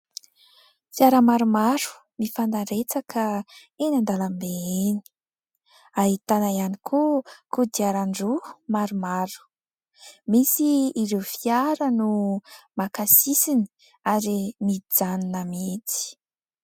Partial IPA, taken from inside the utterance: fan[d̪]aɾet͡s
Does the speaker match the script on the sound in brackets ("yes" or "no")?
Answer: yes